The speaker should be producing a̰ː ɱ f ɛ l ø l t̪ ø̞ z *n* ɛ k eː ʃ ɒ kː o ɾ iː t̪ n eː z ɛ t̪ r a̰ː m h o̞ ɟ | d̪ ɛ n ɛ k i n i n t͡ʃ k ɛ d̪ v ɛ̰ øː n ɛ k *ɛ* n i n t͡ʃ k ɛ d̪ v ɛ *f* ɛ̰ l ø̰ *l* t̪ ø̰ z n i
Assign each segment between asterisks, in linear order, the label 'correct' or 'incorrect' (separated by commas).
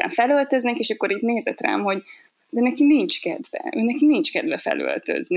correct, incorrect, correct, correct